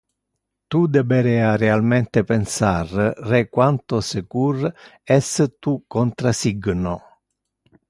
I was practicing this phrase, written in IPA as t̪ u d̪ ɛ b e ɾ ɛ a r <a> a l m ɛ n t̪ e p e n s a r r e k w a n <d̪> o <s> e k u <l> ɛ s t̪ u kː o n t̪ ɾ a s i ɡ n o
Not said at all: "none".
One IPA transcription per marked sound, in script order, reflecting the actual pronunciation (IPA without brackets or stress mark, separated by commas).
e, t̪, s, r